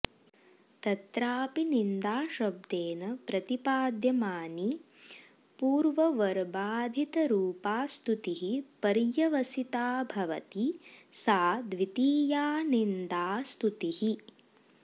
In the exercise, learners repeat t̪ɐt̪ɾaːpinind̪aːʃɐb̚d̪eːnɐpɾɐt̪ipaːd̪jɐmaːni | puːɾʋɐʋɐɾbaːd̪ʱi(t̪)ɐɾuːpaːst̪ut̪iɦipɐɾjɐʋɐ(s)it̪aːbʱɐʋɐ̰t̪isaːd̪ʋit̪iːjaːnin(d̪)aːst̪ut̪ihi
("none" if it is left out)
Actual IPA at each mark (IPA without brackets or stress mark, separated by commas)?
t̪, s, d̪